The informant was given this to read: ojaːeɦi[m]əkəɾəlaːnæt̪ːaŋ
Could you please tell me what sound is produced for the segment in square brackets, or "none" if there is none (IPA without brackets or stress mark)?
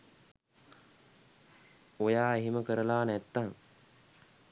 m